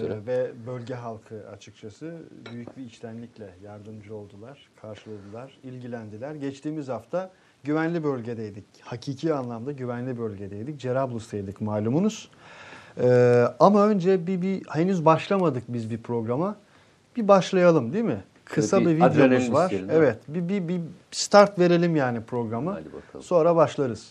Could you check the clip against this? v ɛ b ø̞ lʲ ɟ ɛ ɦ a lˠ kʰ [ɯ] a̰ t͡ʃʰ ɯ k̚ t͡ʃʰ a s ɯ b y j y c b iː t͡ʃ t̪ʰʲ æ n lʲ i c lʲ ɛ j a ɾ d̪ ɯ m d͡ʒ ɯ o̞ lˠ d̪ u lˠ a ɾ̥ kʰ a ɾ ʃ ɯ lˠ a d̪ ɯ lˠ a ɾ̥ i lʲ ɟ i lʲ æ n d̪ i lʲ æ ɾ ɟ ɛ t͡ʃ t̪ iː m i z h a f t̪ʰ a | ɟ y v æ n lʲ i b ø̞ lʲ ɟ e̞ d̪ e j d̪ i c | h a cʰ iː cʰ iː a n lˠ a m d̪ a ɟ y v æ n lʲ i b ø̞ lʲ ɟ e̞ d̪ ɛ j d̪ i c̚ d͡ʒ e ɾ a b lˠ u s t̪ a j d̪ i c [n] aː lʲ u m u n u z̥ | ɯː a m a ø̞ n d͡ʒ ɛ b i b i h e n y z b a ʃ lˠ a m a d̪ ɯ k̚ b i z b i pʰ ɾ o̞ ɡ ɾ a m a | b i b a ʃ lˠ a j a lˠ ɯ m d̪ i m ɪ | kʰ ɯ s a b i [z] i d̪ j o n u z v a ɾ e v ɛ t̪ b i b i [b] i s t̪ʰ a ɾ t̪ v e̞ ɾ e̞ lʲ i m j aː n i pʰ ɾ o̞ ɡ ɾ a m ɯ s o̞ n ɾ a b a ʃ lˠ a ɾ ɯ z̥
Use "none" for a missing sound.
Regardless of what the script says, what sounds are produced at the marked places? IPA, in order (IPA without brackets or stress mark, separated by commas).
ɯ, m, v, b